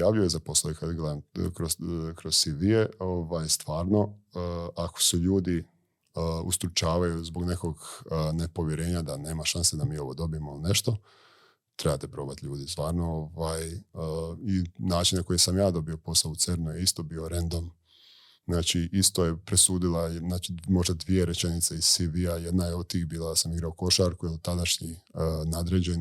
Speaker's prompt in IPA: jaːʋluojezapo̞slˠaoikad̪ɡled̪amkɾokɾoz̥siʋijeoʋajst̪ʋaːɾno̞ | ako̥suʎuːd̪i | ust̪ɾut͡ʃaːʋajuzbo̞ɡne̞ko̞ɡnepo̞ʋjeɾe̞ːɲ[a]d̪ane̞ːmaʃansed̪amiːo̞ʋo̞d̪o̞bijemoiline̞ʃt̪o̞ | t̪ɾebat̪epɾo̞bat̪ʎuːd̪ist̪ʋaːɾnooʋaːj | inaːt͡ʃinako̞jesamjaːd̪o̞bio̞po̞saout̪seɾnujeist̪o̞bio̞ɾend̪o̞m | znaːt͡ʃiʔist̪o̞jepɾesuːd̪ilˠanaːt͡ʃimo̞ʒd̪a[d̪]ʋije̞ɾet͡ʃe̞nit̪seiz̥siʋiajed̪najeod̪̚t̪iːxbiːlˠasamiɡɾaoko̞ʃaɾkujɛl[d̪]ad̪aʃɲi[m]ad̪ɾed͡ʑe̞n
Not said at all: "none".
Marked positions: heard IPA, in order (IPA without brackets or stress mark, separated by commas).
a, d̪, t̪, n